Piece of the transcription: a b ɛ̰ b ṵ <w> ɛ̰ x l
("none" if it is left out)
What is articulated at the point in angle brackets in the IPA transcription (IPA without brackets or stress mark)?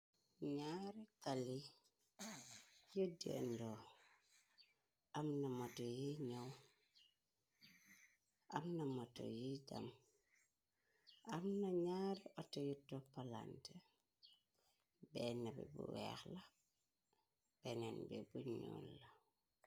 w